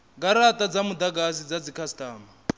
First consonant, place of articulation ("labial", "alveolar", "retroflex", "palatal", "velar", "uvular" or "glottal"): velar